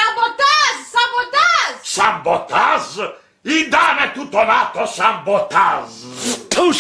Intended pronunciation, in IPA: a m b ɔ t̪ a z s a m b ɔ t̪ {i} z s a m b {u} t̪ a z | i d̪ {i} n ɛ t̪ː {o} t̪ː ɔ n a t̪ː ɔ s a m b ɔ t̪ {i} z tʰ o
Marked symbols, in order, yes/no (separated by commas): no, no, no, no, no